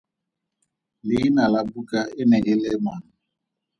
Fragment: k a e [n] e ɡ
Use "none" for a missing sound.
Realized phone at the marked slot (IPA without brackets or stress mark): n